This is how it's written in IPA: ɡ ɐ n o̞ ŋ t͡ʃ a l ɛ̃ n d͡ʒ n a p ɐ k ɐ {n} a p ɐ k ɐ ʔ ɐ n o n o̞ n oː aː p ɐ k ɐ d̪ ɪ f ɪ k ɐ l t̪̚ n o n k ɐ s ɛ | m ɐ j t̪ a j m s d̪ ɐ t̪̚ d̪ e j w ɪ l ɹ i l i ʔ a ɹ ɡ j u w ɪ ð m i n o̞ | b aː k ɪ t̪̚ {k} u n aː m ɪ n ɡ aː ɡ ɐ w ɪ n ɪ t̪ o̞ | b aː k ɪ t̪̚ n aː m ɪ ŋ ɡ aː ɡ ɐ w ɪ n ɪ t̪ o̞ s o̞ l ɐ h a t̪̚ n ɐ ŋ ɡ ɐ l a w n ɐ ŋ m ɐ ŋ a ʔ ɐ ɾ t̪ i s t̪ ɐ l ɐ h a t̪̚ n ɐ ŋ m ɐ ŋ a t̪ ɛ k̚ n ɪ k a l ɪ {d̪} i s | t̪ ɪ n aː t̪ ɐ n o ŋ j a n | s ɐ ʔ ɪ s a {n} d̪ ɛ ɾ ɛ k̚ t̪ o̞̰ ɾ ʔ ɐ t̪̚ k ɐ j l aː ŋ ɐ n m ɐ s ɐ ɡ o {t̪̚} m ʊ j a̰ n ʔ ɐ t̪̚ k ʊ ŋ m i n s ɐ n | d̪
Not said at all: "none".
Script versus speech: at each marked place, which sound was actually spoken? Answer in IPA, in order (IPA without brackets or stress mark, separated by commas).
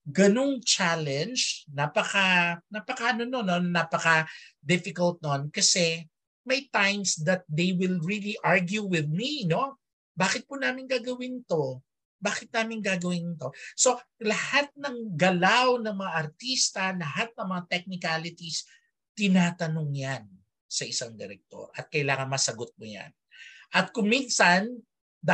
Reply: n, p, t̪, ŋ, t̪̚